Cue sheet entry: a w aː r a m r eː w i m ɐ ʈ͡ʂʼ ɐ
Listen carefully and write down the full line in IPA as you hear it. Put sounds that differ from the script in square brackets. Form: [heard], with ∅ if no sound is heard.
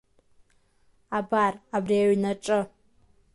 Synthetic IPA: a [b] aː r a [b] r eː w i [n] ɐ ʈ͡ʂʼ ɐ